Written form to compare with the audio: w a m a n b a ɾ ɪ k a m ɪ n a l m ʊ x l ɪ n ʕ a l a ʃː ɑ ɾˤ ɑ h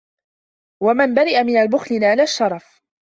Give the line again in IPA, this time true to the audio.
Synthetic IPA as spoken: w a m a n b a ɾ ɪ ʔ a m ɪ n a l b ʊ x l ɪ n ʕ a l a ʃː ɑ ɾˤ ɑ f